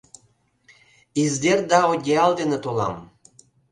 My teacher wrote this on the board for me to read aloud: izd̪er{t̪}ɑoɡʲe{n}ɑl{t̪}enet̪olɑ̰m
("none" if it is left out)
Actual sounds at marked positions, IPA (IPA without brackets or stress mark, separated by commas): d̪, none, d̪